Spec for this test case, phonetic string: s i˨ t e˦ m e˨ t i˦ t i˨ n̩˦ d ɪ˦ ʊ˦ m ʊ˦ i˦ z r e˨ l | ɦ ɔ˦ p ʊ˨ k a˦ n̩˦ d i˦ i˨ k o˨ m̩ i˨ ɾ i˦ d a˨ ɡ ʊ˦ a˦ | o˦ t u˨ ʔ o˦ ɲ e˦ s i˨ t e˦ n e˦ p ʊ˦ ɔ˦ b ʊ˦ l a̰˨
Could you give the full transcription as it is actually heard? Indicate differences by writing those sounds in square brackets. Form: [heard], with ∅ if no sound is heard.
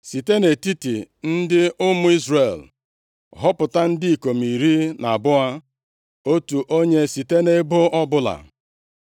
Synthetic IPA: s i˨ t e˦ [n] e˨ t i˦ t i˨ n̩˦ d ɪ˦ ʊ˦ m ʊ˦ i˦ z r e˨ l | ɦ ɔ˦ p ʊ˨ [t] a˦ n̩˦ d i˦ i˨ k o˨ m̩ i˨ ɾ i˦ [n] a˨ [b] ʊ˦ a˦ | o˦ t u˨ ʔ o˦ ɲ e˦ s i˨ t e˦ n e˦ [b] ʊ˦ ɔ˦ b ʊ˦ l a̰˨